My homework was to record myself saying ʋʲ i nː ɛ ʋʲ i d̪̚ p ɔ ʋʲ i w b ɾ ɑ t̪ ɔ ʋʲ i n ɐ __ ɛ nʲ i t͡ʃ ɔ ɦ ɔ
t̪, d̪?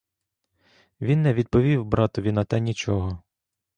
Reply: t̪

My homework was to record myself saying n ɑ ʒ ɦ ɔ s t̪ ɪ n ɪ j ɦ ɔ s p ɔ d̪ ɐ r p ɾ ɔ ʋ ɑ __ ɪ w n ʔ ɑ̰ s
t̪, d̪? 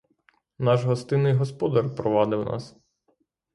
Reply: d̪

